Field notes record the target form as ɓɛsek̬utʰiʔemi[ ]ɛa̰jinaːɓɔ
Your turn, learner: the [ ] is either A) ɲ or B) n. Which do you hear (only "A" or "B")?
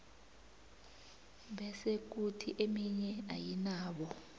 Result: A